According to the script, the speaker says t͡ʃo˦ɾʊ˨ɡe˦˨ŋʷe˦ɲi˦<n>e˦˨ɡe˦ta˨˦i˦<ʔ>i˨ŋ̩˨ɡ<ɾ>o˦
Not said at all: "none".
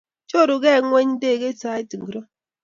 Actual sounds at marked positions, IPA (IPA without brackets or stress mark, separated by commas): d, t, ɾ